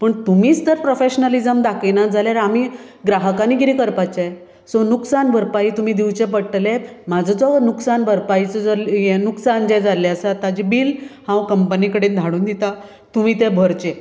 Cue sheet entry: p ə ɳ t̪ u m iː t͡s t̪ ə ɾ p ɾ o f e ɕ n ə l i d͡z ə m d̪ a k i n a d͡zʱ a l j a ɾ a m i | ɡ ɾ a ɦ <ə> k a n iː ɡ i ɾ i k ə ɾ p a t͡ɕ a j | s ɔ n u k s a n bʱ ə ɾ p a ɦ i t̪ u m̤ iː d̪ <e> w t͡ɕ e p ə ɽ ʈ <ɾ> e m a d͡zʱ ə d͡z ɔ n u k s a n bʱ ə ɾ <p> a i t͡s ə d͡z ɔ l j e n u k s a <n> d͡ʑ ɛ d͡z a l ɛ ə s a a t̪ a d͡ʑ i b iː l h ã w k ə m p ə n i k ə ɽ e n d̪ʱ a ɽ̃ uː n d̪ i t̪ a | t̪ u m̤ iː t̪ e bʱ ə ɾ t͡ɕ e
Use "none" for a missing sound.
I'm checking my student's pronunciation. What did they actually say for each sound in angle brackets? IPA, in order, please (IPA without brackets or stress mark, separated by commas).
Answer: ə, i, l, p, n